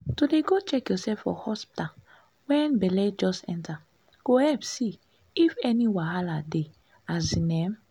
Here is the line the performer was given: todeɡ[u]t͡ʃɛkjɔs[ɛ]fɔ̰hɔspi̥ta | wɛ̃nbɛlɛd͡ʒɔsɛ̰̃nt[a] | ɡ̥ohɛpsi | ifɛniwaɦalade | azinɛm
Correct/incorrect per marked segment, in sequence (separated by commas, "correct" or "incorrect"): incorrect, correct, correct